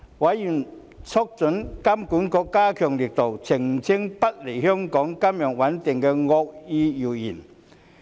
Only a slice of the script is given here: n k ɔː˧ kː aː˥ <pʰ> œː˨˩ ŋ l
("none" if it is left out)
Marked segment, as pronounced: kʰ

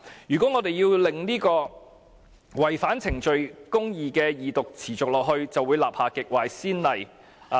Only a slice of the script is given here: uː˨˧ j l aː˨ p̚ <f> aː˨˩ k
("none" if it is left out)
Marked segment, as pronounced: h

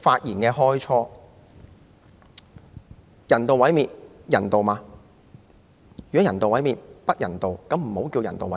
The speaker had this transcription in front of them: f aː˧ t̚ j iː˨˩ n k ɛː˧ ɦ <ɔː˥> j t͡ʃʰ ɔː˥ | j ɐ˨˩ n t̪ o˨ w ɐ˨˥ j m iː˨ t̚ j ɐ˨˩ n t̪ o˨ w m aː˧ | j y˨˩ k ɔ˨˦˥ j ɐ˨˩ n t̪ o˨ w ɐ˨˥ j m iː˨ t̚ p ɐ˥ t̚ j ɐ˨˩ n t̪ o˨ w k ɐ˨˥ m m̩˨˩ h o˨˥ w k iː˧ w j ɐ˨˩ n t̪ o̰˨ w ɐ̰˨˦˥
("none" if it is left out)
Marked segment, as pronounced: ɔː˥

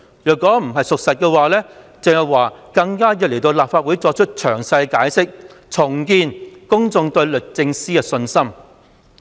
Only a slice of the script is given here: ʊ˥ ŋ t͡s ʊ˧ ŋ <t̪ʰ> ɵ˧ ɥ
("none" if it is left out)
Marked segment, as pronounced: t̪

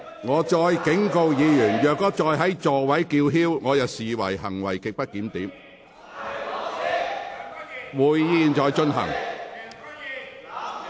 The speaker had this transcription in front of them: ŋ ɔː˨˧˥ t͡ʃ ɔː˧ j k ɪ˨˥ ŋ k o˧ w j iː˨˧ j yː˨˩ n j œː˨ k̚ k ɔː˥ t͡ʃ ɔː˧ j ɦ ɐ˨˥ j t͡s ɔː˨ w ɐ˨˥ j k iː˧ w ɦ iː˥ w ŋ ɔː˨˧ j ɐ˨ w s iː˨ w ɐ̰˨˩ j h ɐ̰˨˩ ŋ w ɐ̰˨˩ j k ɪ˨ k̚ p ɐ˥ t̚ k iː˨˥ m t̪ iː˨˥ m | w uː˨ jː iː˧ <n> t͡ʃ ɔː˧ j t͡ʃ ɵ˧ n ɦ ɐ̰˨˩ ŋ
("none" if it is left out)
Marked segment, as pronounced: n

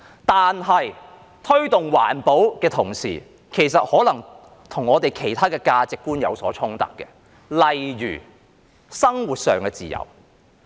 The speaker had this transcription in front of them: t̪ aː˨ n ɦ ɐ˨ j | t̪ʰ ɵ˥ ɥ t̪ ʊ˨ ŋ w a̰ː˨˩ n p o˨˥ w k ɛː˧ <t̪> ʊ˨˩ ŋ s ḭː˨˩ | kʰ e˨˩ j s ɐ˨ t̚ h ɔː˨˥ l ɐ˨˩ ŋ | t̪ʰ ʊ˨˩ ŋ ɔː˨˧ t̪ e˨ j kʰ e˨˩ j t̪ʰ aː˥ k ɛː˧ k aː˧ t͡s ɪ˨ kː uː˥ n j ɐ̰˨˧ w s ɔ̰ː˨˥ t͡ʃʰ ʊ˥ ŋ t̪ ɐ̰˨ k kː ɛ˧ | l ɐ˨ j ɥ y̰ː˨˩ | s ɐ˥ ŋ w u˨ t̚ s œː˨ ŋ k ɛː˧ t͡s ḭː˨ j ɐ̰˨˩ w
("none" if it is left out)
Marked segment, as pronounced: t̪ʰ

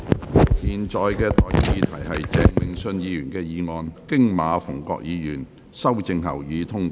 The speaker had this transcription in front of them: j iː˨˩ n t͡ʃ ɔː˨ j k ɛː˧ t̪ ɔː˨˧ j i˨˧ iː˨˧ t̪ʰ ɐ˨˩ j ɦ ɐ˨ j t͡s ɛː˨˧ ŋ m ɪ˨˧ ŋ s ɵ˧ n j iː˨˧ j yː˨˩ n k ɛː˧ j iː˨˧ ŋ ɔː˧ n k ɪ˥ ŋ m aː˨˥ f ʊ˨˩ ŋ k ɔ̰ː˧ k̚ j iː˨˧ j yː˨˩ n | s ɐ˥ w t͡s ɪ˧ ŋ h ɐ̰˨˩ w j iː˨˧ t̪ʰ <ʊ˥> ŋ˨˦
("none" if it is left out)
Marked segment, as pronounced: ʊ˥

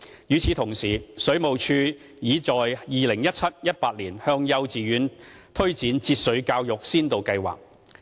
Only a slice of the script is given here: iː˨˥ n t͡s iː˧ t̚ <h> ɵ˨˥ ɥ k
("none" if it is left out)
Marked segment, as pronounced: s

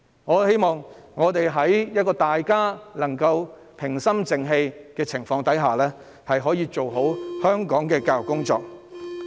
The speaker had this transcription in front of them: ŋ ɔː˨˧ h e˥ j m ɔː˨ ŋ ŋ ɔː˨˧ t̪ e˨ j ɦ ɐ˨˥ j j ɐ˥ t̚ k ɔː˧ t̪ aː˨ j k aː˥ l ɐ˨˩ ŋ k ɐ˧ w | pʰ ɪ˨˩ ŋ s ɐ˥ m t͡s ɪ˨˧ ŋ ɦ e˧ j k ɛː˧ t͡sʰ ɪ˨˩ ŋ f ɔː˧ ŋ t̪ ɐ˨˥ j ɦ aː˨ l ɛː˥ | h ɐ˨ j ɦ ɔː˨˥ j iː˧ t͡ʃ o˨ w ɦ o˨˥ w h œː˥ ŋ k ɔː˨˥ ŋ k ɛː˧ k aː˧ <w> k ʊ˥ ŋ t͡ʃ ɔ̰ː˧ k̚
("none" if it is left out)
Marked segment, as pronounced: w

